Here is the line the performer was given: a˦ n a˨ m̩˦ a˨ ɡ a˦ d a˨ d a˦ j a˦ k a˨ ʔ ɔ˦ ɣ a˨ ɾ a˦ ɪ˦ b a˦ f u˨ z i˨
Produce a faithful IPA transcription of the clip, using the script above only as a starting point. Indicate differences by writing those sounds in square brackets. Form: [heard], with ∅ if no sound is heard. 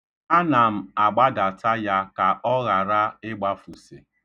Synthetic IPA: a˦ n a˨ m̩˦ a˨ [ɡ͡b] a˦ d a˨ [t] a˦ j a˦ k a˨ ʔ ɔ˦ ɣ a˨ ɾ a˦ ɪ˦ [ɡ͡b] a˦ f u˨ [s] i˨